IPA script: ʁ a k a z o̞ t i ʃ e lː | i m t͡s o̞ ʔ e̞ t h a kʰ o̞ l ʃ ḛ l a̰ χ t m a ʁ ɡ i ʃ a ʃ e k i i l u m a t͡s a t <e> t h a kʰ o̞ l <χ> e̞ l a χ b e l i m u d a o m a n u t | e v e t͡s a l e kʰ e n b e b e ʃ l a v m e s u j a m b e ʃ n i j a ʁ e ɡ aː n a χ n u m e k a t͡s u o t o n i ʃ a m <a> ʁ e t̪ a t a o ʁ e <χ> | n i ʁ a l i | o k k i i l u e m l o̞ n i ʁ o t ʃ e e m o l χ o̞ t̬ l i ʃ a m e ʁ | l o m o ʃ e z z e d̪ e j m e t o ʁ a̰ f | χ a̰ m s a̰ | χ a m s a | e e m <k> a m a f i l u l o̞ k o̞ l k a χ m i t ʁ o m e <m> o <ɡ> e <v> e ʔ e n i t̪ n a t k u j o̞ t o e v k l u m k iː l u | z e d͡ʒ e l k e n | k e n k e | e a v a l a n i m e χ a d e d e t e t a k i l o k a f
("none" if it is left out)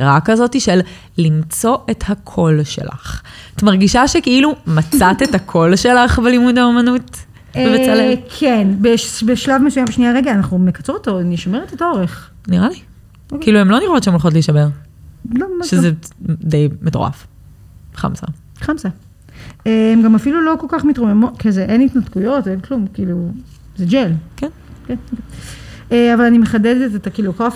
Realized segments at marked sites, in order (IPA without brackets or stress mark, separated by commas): e, ʃ, e, χ, ɡ, m, k, z